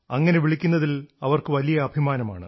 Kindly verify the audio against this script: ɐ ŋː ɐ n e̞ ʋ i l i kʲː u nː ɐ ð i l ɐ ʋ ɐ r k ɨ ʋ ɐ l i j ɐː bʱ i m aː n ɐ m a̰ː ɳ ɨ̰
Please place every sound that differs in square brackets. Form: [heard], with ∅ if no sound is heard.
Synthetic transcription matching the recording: ɐ ŋː ɐ n e̞ ʋ i [ɭ] i kʲː u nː ɐ ð i l ɐ ʋ ɐ r k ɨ ʋ ɐ l i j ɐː bʱ i m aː n ɐ m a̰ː ɳ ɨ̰